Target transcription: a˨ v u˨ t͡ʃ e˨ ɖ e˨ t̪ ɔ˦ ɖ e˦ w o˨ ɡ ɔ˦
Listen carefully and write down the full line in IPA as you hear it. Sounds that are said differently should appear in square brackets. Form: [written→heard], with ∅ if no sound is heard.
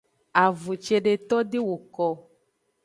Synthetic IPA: a˨ v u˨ t͡ʃ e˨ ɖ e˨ t̪ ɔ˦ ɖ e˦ w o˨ [ɡ→k] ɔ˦